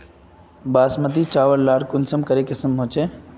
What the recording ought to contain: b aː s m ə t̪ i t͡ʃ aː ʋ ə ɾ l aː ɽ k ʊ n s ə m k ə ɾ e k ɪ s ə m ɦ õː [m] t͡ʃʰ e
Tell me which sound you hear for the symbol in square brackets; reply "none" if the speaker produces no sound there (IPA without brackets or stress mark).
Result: none